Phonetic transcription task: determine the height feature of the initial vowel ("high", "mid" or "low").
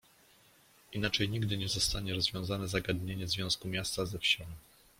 high